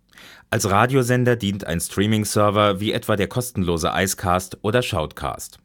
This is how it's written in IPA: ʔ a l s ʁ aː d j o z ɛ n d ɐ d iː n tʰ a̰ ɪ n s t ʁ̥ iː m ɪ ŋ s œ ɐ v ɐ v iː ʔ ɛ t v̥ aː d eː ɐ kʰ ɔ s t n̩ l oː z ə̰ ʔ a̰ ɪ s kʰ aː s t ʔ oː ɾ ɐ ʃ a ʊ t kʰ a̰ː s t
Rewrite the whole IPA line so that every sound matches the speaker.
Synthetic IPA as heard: ʔ a l s ʁ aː d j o z ɛ n d ɐ d iː n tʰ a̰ ɪ n s t ʁ̥ iː m ɪ ŋ s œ ɐ v ɐ v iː ʔ ɛ t v̥ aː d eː ɐ kʰ ɔ s t n̩ l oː z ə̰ ʔ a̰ ɪ s kʰ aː s t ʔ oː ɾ ɐ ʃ a ʊ t kʰ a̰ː s t